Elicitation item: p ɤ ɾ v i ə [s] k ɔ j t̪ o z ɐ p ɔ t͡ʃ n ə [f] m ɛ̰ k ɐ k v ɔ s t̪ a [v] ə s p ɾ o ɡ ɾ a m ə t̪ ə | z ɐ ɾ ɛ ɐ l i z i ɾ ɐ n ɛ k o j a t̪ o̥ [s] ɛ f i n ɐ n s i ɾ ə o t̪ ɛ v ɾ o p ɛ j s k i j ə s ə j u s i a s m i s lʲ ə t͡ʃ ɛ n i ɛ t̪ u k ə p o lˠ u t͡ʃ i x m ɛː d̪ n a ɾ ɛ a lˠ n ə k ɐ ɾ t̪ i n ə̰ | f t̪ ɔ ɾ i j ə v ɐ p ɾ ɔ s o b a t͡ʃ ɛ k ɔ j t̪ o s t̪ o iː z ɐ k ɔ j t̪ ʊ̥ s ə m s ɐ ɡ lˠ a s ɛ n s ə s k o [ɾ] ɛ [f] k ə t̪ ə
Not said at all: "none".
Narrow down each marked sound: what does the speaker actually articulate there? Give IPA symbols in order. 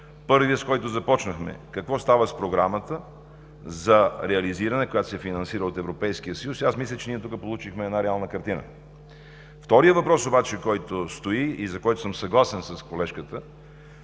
s, x, v, s, l, ʃ

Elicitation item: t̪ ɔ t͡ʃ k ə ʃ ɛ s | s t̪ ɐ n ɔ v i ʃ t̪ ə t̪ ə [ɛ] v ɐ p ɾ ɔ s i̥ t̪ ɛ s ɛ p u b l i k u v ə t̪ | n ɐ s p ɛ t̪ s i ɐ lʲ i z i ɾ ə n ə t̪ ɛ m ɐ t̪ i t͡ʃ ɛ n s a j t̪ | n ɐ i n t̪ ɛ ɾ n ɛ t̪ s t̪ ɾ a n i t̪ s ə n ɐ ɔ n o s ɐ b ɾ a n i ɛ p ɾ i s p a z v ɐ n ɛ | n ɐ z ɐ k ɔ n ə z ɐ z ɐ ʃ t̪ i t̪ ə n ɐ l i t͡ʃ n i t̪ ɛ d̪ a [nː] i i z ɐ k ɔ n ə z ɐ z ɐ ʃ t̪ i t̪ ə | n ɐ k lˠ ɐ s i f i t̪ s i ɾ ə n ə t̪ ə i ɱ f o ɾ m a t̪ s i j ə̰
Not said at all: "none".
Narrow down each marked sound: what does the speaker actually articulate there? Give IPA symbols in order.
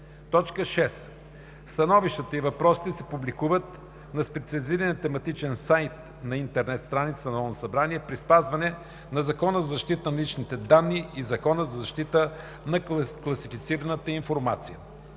i, nː

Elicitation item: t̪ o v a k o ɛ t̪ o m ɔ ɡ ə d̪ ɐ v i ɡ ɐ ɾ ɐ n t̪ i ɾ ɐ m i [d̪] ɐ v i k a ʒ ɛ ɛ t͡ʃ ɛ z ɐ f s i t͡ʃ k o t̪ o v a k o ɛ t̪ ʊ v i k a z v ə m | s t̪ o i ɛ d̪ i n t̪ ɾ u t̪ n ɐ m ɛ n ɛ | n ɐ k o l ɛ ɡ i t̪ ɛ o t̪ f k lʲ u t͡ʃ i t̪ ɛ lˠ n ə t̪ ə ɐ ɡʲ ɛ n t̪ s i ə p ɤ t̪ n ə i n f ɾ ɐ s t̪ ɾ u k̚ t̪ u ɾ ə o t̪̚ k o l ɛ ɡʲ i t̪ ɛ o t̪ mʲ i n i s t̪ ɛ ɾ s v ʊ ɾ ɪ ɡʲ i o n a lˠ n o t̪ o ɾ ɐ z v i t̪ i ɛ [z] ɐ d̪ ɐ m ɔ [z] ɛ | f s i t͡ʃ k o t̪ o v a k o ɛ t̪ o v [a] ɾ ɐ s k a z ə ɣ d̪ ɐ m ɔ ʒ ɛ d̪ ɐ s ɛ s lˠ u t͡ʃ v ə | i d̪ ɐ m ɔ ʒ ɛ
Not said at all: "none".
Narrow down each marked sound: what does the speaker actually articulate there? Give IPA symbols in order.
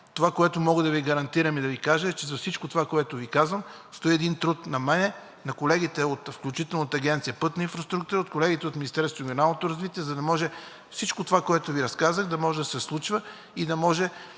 d̪, z, ʒ, i

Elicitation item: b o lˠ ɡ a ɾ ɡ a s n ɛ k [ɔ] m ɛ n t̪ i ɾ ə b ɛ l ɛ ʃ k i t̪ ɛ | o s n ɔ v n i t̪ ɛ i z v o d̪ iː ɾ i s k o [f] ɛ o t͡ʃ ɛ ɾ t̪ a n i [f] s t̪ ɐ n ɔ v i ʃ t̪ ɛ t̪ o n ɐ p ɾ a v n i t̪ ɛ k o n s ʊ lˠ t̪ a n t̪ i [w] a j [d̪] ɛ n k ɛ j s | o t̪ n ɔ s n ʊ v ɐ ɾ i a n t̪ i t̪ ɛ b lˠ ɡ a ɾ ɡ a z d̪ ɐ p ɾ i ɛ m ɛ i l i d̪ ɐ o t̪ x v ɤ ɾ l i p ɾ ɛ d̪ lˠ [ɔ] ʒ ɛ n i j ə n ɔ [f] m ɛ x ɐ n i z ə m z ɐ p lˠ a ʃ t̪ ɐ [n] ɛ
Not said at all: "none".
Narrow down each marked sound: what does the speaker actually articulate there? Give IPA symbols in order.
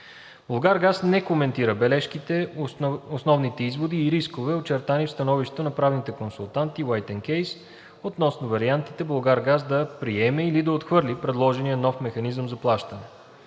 o, v, f, w, t̪, ɔ, f, n

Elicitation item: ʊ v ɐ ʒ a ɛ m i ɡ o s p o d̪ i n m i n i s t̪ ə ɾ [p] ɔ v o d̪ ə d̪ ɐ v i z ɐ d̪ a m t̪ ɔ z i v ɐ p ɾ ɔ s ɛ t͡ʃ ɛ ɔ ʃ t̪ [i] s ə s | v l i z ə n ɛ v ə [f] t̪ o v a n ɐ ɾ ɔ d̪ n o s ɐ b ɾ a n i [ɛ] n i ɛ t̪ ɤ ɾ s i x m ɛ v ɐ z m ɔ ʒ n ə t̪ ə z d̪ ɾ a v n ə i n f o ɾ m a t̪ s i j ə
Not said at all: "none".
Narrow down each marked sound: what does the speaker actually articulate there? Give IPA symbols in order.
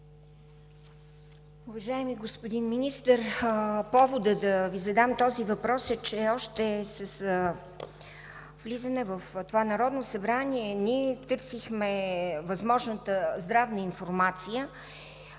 p, ɛ, f, ɛ

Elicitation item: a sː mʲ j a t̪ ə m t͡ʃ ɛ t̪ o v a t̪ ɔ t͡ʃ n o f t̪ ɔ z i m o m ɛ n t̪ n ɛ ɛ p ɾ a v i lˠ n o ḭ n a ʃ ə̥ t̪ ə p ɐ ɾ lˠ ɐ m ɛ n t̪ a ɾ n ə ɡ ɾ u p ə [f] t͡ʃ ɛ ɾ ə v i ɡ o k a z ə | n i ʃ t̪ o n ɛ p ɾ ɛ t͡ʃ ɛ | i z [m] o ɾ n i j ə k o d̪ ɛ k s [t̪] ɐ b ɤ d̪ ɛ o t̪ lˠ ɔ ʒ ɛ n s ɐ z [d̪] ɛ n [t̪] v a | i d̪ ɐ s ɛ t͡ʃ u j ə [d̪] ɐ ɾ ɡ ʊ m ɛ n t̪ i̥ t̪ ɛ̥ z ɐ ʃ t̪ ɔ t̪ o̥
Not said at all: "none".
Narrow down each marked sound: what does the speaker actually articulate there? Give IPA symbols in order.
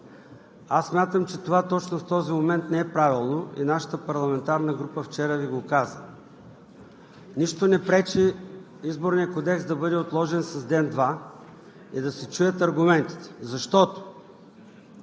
f, b, d̪, d̪, d̪, t̪

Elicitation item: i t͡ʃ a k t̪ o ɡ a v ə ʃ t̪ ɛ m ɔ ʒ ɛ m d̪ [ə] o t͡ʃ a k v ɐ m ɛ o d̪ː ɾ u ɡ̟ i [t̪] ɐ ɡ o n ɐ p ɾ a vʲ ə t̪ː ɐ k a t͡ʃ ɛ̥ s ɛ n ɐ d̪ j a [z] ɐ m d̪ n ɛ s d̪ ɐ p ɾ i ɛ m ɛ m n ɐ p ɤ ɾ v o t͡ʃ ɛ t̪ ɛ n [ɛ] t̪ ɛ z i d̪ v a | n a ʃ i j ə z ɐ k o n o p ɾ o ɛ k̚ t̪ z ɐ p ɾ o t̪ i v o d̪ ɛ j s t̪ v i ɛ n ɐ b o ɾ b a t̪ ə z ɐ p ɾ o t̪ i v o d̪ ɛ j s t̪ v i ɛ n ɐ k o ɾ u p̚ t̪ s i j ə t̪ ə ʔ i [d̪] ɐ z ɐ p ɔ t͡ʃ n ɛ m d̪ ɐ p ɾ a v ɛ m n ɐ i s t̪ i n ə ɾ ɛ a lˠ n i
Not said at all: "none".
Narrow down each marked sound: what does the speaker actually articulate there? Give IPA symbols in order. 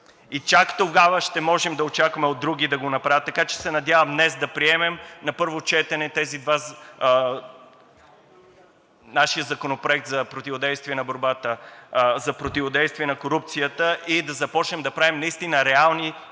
ɐ, d̪, v, ɛ, d̪

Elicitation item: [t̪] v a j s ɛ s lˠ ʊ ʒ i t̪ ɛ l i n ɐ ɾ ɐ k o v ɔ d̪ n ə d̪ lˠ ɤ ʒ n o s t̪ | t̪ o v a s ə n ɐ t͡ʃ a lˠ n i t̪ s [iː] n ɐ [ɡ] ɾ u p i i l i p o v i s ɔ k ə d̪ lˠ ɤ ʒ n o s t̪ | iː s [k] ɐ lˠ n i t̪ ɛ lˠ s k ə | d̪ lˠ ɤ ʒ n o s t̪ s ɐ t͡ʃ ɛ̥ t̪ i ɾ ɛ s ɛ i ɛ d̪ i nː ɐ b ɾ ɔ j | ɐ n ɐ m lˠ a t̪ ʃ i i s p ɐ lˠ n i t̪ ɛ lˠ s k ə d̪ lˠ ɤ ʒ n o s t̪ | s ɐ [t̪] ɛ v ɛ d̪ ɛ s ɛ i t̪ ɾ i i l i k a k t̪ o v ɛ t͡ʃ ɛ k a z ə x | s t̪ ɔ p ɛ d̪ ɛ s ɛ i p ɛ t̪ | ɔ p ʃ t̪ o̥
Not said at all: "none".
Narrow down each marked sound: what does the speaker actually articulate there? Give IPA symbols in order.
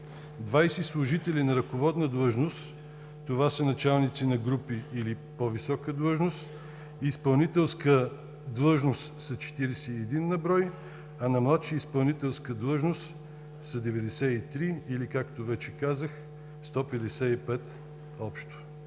d̪, i, ɡ, p, d̪

